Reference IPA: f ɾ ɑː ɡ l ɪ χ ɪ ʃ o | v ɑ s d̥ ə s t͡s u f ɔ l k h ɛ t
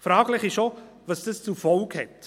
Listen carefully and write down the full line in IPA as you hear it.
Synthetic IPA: f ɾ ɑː ɡ l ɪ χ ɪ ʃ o | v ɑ s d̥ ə s t͡s u f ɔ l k h ɛ t